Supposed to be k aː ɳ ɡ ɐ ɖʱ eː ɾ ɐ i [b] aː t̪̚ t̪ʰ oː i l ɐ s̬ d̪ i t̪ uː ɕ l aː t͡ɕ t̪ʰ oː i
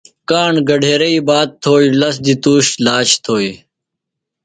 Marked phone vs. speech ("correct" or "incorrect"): correct